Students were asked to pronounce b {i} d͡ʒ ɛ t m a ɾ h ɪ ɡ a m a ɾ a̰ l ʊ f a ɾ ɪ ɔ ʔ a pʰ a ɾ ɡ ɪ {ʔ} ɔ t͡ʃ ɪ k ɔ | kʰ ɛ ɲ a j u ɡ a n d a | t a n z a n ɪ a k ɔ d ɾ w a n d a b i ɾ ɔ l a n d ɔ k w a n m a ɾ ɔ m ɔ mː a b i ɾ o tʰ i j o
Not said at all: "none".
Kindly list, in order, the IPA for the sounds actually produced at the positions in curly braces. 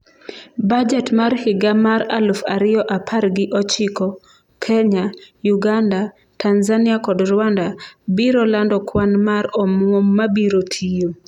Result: a, ʔ

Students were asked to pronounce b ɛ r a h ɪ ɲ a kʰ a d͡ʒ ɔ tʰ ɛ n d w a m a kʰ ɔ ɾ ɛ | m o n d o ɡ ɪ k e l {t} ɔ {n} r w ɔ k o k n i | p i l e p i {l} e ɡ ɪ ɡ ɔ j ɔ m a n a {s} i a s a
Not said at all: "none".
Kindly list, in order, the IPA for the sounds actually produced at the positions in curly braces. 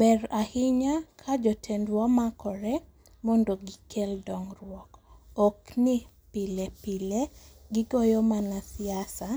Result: d, ŋ, l, s

